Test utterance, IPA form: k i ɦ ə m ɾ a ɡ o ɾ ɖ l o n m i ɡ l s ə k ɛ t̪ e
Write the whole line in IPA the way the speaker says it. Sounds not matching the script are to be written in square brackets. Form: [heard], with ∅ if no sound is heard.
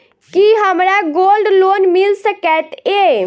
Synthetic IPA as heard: k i ɦ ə m ɾ a ɡ o [l] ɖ l o n m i [∅] l s ə k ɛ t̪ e

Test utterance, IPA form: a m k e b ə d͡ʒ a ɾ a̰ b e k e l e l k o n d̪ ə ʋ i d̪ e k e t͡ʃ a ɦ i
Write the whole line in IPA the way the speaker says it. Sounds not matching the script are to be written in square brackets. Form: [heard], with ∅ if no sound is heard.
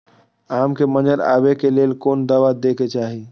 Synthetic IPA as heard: a m k e [m] ə d͡ʒ [ə] ɾ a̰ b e k e l e l k o n d̪ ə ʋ [a] d̪ e k e t͡ʃ a ɦ i

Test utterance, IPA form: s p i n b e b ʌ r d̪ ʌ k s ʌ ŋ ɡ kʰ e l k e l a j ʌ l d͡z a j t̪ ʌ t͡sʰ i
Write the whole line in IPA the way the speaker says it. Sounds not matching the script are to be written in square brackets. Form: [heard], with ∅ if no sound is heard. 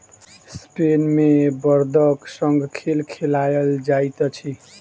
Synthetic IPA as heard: s p [e] n [m] e b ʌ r d̪ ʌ k s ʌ ŋ ɡ kʰ e l [kʰ] e l a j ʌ l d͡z a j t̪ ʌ t͡sʰ i

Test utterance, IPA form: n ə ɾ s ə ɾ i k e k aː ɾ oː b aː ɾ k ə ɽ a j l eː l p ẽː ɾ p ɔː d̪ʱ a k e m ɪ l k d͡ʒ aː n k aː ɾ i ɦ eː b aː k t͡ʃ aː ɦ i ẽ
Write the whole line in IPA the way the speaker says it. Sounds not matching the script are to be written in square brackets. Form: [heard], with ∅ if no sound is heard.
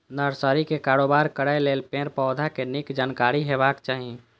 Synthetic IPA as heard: n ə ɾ s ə ɾ i k e k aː ɾ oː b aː ɾ k ə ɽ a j l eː l p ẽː ɾ p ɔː d̪ʱ a k e [n] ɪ [∅] k d͡ʒ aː n k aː ɾ i ɦ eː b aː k t͡ʃ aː ɦ i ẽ

